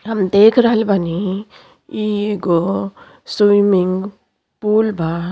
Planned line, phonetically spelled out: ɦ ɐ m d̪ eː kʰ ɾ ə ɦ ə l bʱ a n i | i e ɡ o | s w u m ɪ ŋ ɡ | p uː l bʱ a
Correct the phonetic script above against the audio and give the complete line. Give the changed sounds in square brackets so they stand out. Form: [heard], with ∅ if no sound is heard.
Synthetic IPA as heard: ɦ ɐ m d̪ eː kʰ ɾ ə ɦ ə l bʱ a n i | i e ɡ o | s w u m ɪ ŋ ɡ | p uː l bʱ a